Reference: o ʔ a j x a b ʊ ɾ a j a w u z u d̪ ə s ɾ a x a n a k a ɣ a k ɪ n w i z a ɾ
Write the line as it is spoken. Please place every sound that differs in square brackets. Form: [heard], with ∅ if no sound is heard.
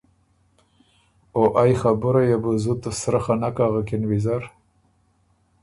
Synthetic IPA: o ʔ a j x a b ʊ ɾ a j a [b] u z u [t̪] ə s ɾ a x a n a k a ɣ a k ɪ n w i z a ɾ